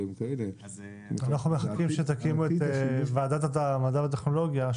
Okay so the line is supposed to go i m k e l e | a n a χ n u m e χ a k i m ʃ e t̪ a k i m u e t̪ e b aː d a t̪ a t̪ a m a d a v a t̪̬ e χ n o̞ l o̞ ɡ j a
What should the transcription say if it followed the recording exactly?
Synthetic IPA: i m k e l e | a n a χ n u m e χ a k i m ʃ e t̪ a k i m u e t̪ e v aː d a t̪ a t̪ a m a d a v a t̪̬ e χ n o̞ l o̞ ɡ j a